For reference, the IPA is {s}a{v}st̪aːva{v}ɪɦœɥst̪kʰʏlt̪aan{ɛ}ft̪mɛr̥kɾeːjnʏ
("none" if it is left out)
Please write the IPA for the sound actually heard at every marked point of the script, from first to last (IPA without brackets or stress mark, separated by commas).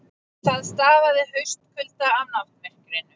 θ, ð, ð, a